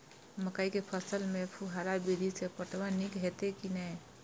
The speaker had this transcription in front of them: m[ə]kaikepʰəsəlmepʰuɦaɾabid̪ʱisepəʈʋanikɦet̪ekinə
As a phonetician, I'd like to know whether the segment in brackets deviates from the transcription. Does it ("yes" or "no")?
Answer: no